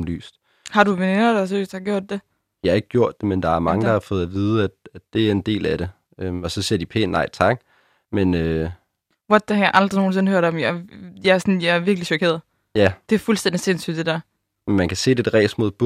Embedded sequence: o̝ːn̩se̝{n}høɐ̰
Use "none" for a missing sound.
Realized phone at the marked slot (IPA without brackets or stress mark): n